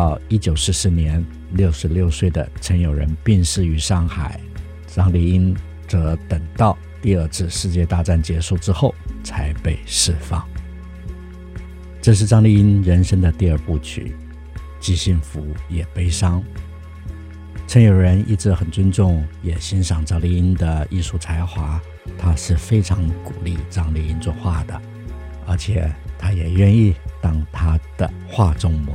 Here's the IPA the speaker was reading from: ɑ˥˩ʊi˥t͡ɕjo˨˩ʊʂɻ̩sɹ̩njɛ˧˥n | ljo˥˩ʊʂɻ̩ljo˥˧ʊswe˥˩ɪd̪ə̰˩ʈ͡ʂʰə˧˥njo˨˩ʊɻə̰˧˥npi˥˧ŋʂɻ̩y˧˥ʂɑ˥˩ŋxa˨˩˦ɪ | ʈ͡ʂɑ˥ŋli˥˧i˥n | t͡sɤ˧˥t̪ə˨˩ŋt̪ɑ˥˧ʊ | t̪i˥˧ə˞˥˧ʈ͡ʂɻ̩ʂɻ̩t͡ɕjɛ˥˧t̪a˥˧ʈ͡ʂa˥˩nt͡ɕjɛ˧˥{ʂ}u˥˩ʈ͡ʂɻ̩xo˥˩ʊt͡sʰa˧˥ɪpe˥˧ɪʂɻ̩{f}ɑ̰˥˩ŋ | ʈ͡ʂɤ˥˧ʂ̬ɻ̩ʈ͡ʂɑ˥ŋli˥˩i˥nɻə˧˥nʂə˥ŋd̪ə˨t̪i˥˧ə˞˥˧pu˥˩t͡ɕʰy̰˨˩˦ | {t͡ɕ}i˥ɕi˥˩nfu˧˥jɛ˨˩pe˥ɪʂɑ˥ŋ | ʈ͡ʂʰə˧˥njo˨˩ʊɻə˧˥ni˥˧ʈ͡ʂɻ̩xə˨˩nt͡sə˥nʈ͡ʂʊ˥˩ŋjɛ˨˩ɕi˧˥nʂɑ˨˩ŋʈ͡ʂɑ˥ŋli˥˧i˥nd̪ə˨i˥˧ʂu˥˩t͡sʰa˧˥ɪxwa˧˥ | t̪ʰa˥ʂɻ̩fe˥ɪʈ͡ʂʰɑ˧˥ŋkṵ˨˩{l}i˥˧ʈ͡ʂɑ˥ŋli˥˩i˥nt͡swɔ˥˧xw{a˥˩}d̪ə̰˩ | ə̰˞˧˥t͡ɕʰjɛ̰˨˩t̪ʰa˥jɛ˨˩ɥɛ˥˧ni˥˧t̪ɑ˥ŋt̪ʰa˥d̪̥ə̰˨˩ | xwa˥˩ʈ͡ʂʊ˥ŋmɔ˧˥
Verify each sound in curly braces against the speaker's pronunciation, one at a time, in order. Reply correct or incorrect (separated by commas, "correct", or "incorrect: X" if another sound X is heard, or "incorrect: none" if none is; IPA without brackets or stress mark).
correct, correct, correct, correct, correct